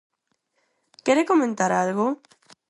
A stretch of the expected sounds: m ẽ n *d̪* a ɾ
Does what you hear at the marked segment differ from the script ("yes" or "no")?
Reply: yes